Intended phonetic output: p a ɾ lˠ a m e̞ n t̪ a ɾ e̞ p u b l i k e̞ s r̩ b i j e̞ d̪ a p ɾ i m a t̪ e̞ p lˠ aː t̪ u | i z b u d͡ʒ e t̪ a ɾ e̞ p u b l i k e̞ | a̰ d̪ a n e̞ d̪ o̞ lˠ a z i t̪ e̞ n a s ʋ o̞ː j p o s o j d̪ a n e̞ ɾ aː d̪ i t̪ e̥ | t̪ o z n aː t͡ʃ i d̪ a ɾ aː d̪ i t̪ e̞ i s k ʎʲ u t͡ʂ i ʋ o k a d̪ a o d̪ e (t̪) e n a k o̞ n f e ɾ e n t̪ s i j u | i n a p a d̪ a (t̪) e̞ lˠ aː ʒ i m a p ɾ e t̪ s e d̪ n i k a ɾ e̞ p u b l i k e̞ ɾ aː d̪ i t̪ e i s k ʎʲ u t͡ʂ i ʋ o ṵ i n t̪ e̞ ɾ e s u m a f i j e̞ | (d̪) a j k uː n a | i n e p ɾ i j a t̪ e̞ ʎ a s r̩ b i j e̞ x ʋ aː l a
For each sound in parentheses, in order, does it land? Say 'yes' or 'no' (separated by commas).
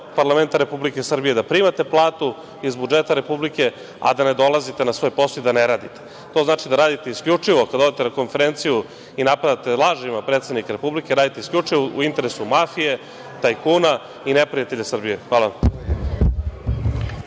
yes, yes, no